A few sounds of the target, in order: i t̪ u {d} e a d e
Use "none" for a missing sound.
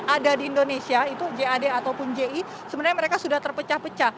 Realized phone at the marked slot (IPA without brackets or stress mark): d͡ʒ